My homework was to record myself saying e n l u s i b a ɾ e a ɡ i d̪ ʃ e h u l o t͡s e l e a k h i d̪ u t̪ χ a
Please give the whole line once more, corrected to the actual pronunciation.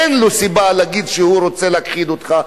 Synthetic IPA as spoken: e n l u s i b a l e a ɡ i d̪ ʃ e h u ɾ o t͡s e l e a k χ i d̪ o t̪ χ a